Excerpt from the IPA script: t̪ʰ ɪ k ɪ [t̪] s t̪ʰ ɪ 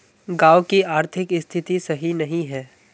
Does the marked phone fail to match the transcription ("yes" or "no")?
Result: yes